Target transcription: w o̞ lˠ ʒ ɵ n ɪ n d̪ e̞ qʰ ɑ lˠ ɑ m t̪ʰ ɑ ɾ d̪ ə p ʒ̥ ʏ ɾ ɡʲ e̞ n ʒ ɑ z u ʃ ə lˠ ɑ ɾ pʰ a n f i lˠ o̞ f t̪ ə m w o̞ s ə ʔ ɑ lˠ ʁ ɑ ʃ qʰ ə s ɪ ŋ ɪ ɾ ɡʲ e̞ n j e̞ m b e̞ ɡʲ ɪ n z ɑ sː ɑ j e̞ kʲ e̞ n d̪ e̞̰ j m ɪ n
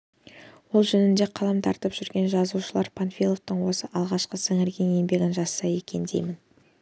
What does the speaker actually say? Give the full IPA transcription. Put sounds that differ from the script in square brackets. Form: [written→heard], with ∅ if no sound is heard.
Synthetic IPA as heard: w o̞ lˠ ʒ ɵ n ɪ n d̪ e̞ qʰ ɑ lˠ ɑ m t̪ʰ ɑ ɾ [d̪→t̪] ə p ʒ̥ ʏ ɾ ɡʲ e̞ n ʒ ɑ z u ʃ ə lˠ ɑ ɾ pʰ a n f i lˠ o̞ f t̪ ə [m→ɴ] w o̞ s ə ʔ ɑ lˠ ʁ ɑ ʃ [qʰ→q] ə s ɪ ŋ ɪ ɾ ɡʲ e̞ n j e̞ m b e̞ ɡʲ ɪ n [z→ʒ] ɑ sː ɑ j e̞ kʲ e̞ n d̪ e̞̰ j m ɪ n